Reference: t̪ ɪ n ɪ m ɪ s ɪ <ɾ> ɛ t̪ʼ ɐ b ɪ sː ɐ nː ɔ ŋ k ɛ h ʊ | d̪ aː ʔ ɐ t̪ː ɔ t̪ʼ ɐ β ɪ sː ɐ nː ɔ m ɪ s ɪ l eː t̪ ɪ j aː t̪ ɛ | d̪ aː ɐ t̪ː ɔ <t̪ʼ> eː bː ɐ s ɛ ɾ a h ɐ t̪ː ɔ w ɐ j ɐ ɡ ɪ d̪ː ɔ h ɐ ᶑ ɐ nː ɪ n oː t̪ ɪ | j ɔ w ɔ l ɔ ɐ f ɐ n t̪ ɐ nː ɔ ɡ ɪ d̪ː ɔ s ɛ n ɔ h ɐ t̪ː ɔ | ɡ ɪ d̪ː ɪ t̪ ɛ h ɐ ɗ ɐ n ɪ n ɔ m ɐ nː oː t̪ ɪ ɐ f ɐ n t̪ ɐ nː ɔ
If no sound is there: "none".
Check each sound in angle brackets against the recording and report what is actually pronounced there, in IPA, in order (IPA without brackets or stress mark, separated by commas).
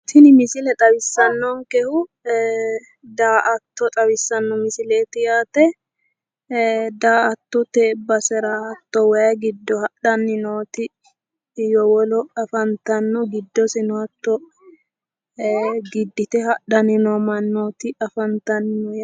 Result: l, t̪